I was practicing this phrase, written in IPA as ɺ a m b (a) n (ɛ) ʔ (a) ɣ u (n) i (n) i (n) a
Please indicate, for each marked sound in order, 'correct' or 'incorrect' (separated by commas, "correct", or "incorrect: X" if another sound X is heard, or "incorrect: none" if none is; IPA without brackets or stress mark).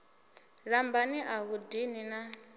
correct, incorrect: i, correct, incorrect: d, correct, correct